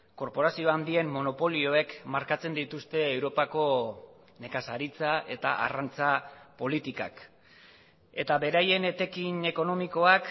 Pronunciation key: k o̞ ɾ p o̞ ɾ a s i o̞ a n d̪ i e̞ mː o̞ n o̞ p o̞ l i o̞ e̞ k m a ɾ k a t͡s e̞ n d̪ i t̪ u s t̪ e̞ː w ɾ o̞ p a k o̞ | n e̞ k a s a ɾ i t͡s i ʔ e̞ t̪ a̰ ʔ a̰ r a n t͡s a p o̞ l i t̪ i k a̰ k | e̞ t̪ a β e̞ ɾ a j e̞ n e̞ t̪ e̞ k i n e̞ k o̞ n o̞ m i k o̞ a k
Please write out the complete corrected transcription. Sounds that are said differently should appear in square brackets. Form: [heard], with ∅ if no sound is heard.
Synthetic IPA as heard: k o̞ ɾ p o̞ ɾ a s i o̞ a n d̪ i e̞ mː o̞ n o̞ p o̞ l i o̞ e̞ k m a ɾ k a t͡s e̞ n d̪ i t̪ u s t̪ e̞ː w ɾ o̞ p a k o̞ | n e̞ k a s a ɾ i t͡s [a] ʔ e̞ t̪ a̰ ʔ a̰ r a n t͡s a p o̞ l i t̪ i k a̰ k | e̞ t̪ a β e̞ ɾ a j e̞ n e̞ t̪ e̞ k i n e̞ k o̞ n o̞ m i k o̞ a k